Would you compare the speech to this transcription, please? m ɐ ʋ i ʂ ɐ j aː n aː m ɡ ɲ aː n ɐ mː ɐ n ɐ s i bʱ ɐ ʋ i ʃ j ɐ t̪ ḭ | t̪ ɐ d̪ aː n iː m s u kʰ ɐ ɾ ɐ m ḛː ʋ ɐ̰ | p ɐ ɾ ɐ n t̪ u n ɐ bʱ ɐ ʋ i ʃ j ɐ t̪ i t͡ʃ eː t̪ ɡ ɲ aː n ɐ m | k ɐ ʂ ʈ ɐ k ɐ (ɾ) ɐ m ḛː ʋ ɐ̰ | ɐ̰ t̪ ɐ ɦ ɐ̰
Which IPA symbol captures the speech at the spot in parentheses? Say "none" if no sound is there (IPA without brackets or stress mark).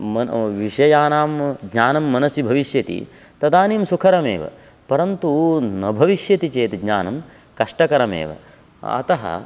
ɾ